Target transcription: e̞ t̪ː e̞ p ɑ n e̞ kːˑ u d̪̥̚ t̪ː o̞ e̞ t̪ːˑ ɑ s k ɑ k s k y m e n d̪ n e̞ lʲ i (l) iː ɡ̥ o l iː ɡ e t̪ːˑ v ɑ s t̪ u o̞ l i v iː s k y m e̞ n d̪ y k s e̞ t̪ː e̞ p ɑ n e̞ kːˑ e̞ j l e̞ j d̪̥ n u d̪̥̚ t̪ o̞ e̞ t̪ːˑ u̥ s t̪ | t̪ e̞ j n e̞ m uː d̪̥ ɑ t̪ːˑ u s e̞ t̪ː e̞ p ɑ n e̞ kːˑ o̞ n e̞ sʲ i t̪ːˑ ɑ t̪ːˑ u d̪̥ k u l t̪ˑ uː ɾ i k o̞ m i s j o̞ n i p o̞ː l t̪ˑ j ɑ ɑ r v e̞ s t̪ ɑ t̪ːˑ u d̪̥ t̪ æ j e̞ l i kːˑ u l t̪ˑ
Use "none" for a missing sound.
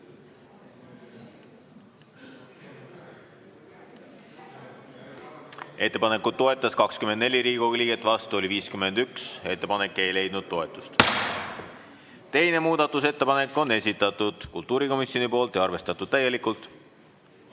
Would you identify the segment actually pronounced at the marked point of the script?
ɾ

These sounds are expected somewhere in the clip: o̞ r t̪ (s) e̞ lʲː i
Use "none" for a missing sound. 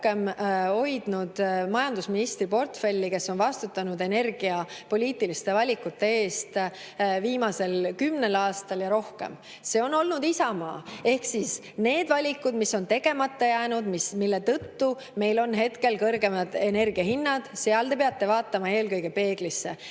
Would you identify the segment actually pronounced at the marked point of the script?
f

